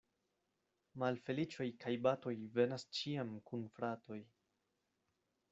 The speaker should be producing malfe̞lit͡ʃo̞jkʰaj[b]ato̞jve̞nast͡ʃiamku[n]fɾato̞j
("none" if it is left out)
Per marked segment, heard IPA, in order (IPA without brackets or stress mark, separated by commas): b, n